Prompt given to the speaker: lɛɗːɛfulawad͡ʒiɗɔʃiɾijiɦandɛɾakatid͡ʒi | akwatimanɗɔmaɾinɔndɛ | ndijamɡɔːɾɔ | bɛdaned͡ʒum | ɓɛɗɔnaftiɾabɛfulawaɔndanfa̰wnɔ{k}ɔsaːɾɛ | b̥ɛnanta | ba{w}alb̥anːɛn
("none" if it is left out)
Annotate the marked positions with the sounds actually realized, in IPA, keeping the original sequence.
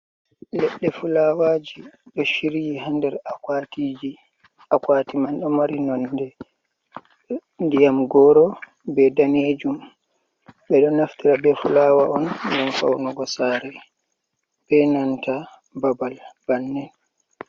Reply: ɡ, b

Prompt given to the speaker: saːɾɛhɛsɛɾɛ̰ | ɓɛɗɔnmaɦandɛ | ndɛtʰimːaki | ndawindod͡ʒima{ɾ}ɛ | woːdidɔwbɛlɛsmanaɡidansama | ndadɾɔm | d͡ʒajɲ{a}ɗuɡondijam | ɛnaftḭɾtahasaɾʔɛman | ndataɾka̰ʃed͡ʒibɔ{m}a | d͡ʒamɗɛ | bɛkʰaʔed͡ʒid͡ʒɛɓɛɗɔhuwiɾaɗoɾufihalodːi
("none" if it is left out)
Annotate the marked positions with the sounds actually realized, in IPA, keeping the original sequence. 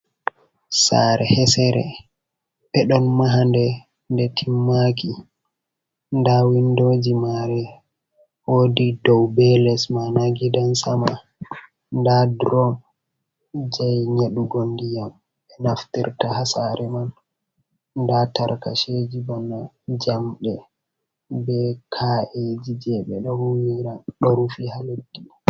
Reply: ɾ, e, n

